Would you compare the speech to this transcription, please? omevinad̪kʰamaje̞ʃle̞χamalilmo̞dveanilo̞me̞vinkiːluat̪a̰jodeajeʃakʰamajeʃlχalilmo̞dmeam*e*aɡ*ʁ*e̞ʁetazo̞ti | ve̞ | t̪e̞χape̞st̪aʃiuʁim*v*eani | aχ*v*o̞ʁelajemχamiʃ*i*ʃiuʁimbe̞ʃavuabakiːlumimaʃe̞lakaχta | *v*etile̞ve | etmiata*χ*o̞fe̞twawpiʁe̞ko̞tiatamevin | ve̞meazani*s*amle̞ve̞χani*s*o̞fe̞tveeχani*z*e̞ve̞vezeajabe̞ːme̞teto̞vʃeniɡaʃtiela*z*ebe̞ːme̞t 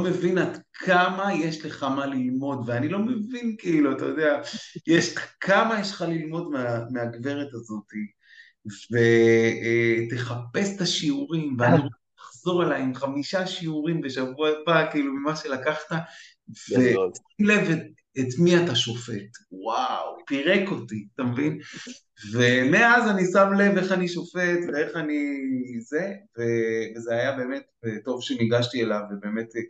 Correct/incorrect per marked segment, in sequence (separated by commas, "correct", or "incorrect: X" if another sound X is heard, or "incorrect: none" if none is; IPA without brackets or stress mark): correct, incorrect: v, correct, incorrect: z, incorrect: a, correct, incorrect: ʃ, correct, incorrect: ʃ, correct, incorrect: v